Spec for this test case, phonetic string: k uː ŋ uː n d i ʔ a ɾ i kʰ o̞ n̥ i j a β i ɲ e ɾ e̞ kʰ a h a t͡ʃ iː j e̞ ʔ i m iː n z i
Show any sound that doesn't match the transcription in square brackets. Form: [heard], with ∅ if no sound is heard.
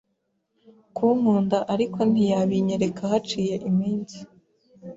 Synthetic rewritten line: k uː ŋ uː n d [a] ʔ a ɾ i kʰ o̞ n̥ i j a β i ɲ e ɾ e̞ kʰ a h a t͡ʃ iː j e̞ ʔ i m iː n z i